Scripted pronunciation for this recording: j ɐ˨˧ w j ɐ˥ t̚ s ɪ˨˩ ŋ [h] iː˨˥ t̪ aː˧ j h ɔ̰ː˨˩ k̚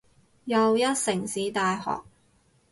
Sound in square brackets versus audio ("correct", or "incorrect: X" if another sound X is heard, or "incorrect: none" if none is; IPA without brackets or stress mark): incorrect: s